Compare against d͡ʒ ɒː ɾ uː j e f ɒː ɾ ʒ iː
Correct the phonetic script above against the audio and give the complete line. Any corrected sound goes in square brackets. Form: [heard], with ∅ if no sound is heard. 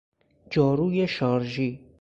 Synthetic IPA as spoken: d͡ʒ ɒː ɾ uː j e [ʃ] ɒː ɾ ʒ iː

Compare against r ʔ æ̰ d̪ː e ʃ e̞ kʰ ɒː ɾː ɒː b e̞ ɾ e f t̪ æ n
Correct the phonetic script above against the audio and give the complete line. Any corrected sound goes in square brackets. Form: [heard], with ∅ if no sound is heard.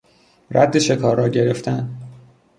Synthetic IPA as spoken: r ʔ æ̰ d̪ː e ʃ e̞ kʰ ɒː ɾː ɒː [ɟ] e̞ ɾ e f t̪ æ n

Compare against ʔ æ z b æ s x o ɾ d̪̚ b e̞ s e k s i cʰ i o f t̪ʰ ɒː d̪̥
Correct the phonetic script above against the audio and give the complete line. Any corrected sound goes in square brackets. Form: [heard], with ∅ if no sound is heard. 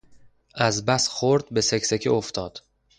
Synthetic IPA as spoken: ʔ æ z b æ s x o ɾ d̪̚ b e̞ s e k s [e] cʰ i o f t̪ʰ ɒː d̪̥

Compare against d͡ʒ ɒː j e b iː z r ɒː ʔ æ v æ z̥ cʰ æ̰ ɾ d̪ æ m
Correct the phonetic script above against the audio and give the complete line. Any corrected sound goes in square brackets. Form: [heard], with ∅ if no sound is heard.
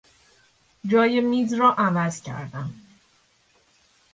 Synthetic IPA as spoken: d͡ʒ ɒː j e [m] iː z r ɒː ʔ æ v æ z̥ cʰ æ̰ ɾ d̪ æ m

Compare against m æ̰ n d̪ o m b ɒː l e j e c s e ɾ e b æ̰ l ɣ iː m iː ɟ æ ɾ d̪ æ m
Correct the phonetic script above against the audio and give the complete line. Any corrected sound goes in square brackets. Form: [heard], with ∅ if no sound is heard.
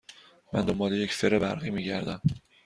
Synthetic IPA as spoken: m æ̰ n d̪ o m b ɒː l e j e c s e ɾ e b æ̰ [ɾ] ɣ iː m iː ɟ æ ɾ d̪ æ m

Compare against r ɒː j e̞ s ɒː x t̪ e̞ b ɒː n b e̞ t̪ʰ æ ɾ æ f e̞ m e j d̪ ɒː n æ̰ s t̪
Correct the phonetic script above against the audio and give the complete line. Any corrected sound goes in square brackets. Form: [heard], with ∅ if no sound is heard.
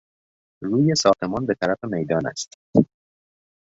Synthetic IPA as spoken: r [uː] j e̞ s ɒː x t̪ e̞ [m] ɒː n b e̞ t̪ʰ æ ɾ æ f e̞ m e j d̪ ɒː n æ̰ s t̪

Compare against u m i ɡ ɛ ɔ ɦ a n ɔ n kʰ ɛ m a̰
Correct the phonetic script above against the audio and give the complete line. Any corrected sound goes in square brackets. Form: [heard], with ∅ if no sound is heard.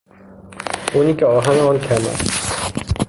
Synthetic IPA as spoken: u [n] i [k] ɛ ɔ ɦ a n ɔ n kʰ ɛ m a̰

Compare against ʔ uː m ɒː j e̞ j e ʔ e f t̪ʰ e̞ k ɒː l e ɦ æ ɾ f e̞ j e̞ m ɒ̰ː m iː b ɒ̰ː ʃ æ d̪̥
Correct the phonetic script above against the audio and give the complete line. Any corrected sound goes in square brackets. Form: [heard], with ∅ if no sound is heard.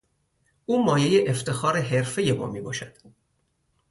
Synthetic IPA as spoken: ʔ uː m ɒː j e̞ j e ʔ e f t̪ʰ e̞ [x] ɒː [ɾ] e ɦ [e] ɾ f e̞ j e̞ m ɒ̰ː m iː b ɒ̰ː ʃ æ d̪̥

